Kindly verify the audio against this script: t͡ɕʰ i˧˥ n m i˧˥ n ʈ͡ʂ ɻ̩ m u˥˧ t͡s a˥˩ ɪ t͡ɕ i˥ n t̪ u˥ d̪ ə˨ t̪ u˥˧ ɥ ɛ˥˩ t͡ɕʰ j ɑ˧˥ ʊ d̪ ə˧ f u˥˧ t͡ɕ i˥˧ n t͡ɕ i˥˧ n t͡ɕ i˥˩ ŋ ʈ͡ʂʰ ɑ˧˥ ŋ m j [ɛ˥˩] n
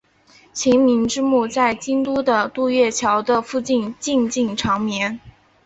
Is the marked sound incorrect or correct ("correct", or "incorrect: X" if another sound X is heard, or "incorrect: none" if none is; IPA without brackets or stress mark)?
incorrect: ɛ˧˥